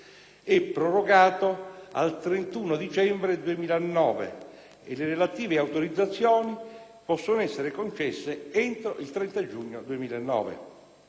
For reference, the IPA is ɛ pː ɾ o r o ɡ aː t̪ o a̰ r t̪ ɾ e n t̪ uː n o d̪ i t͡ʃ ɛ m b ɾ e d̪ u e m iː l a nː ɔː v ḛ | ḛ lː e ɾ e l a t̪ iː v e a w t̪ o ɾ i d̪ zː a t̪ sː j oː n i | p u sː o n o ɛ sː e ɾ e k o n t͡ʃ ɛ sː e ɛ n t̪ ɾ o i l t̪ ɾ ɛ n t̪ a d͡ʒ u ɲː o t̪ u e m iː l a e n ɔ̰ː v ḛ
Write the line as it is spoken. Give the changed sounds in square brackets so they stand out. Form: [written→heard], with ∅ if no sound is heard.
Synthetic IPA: ɛ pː ɾ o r o ɡ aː t̪ o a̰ [r→l] t̪ ɾ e n t̪ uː n o d̪ i t͡ʃ ɛ m b ɾ e d̪ u e m iː l a nː ɔː v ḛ | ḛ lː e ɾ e l a t̪ iː v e a w t̪ o ɾ i d̪ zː a t̪ sː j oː n i | p [u→ɔ] sː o n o ɛ sː e ɾ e k o n t͡ʃ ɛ sː e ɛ n t̪ ɾ o i l t̪ ɾ ɛ n t̪ a d͡ʒ u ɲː o [t̪→d̪] u e m iː l a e [n→nː] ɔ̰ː v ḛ